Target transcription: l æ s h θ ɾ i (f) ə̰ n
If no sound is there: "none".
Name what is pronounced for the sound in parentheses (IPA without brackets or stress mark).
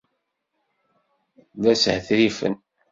f